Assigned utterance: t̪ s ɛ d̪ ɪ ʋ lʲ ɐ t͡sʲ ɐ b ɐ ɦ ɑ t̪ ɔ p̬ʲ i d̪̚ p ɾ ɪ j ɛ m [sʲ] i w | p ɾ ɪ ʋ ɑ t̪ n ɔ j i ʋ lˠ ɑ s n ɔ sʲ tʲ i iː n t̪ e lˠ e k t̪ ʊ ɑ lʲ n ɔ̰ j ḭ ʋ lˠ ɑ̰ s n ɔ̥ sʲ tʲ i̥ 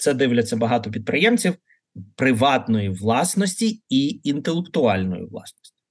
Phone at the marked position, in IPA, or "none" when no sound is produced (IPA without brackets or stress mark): t͡sʲ